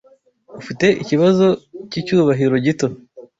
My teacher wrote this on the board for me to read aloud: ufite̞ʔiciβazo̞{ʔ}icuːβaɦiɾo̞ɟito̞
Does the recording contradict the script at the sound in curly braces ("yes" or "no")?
yes